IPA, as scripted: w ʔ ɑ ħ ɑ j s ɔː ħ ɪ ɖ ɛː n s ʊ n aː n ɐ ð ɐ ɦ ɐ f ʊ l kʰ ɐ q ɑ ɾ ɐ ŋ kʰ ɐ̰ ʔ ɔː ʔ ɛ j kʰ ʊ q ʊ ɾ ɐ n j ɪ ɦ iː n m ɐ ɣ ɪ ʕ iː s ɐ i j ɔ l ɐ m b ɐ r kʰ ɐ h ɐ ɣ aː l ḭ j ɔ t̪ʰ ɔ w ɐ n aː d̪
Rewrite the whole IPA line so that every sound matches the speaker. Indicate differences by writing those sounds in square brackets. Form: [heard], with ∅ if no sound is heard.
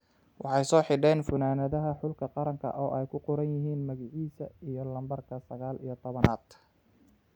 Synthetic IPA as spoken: w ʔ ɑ ħ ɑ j s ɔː ħ ɪ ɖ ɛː n [f] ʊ n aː n ɐ ð ɐ ɦ ɐ [ħ] ʊ l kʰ ɐ q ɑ ɾ ɐ ŋ kʰ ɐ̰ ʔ ɔː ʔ ɛ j kʰ ʊ q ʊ ɾ ɐ n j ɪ ɦ iː n m ɐ ɣ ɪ ʕ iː s ɐ i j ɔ l ɐ m b ɐ r kʰ ɐ [s] ɐ ɣ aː l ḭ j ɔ t̪ʰ ɔ [β] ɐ n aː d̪